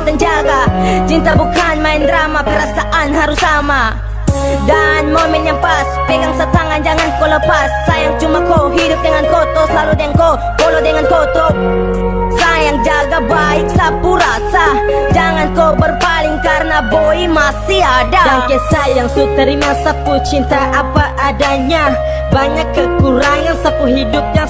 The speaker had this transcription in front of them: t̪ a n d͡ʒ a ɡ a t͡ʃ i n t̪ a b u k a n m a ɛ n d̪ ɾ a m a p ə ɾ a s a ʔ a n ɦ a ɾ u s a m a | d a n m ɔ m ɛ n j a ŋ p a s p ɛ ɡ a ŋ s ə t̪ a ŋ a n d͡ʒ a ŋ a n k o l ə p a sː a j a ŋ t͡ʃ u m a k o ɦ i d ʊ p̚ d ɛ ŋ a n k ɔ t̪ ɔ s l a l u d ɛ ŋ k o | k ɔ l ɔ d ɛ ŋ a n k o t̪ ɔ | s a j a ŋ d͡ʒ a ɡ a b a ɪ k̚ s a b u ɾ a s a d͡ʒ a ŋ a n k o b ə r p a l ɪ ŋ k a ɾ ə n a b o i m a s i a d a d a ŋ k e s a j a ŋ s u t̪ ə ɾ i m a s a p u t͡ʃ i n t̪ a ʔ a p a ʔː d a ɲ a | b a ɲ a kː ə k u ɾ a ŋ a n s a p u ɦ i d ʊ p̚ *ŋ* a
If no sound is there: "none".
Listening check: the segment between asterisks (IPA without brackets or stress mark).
ɲ